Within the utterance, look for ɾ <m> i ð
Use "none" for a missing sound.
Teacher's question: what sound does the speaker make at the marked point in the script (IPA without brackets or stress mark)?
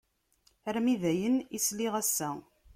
m